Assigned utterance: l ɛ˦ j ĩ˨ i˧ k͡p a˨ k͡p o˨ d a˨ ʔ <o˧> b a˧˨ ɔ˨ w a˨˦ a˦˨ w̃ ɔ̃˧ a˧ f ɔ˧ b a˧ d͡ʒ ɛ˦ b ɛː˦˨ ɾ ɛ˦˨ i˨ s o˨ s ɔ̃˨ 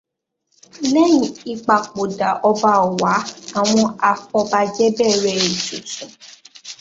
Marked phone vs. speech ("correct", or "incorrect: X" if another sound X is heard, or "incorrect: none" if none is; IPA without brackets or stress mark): incorrect: ɔ˧